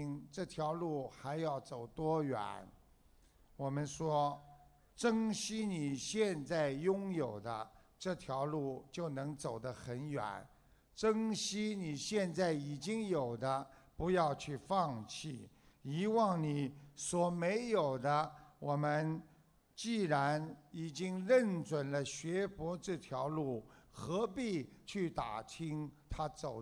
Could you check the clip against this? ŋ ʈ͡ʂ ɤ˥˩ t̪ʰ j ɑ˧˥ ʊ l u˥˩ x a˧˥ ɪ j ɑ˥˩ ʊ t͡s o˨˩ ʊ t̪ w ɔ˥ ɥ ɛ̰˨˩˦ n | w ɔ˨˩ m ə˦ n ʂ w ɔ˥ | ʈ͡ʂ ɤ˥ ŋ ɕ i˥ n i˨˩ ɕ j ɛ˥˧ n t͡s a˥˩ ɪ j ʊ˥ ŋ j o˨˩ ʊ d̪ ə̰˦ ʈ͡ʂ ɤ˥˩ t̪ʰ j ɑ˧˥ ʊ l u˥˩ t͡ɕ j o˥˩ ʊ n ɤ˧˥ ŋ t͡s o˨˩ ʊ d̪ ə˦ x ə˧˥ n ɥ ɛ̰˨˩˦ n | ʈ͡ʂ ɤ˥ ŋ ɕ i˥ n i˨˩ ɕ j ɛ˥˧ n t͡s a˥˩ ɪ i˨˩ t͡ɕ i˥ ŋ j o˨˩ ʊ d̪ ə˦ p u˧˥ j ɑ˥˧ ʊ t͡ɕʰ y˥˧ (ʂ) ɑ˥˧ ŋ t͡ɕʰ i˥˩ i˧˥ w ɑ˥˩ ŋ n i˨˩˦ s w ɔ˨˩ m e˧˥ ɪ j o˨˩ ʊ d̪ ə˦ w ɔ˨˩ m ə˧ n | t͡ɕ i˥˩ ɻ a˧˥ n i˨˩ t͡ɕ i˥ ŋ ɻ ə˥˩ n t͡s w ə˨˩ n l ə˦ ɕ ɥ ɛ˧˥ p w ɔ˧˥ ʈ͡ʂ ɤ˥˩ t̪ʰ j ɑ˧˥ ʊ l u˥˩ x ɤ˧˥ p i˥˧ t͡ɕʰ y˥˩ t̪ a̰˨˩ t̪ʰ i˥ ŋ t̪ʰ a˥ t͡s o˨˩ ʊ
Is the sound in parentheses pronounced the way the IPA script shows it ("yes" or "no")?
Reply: no